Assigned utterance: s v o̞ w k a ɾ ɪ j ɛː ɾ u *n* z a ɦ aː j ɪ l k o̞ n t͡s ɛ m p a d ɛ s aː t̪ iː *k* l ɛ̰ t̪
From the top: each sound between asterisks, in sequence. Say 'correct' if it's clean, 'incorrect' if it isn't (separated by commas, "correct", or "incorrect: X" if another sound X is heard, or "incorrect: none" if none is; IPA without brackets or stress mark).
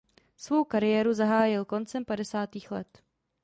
incorrect: none, incorrect: x